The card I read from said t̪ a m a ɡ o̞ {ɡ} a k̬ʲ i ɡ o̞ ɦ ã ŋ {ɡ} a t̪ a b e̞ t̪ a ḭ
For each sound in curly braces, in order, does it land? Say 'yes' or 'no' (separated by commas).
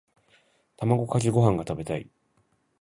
no, yes